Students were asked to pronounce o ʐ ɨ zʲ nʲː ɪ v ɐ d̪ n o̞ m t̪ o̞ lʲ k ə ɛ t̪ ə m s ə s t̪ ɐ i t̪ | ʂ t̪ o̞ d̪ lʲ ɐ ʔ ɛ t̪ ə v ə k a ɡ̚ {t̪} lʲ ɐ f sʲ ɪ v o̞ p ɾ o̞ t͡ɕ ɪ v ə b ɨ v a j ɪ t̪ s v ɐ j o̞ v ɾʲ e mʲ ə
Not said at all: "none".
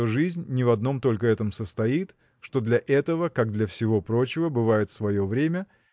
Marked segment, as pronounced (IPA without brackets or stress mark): d̪